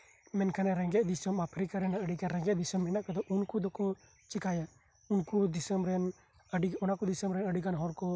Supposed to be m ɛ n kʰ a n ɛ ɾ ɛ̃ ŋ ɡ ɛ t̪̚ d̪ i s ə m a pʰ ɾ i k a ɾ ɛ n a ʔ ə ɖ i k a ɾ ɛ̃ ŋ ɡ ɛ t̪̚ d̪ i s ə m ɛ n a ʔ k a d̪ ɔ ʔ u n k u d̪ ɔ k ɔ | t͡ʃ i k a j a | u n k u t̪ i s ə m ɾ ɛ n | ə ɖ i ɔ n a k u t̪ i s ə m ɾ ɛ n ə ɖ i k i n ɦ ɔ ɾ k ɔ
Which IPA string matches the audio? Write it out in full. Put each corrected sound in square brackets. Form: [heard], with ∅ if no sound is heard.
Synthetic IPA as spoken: m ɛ n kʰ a n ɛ ɾ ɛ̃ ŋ ɡ ɛ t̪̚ d̪ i s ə m a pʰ ɾ i k a ɾ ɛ n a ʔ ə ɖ i k a ɾ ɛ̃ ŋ ɡ ɛ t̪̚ d̪ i s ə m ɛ n a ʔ k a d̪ ɔ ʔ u n k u d̪ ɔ k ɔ | t͡ʃ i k a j a | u n k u [d̪] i s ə m ɾ ɛ n | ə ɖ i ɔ n a k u [d̪] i s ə m ɾ ɛ n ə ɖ i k [a] n ɦ ɔ ɾ k ɔ